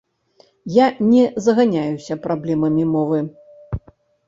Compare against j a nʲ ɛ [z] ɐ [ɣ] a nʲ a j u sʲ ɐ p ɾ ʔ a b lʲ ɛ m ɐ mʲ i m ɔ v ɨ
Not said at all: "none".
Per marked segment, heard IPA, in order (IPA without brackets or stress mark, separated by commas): z, ɣ